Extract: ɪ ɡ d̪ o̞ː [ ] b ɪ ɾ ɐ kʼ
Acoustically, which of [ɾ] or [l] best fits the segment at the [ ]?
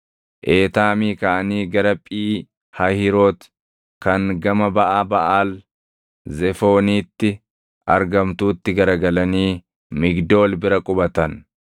l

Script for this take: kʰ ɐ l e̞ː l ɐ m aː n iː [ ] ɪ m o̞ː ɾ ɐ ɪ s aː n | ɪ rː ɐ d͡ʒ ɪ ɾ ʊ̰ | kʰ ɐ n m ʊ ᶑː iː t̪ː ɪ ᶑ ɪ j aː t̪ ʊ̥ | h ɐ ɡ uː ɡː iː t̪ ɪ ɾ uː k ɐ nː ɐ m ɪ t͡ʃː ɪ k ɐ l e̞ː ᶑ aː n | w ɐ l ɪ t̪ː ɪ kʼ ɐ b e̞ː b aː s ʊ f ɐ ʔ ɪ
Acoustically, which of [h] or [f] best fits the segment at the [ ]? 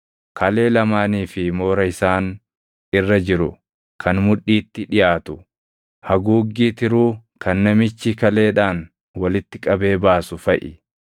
f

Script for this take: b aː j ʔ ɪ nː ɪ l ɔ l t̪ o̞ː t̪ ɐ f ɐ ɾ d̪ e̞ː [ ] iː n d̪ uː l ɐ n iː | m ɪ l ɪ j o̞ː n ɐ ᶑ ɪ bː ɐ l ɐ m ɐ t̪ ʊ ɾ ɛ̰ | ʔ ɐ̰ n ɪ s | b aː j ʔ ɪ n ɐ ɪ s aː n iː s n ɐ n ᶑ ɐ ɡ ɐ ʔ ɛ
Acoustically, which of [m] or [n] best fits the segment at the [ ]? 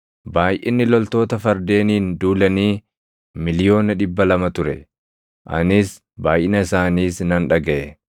n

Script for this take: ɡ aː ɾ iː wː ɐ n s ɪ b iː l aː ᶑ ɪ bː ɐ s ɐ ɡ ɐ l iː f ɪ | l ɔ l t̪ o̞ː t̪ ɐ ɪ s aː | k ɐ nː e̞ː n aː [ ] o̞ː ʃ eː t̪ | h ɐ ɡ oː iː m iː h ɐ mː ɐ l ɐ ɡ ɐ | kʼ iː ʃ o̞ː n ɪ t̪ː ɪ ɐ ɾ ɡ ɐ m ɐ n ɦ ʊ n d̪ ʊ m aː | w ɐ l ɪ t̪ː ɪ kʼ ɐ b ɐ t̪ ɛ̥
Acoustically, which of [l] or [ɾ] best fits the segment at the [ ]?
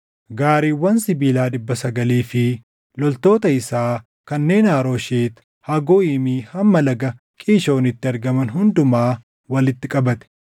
ɾ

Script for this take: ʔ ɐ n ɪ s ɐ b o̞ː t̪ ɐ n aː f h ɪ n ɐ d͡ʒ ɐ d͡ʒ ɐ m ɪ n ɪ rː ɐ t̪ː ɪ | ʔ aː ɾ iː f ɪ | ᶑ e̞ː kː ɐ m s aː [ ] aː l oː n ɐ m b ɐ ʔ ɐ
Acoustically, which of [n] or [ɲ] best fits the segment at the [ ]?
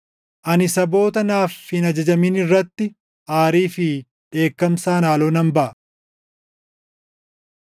n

